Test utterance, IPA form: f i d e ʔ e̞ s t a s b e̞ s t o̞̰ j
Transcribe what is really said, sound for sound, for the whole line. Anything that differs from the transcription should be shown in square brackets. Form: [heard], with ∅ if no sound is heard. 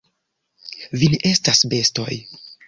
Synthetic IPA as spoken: [v] i [n] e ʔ e̞ s t a s b e̞ s t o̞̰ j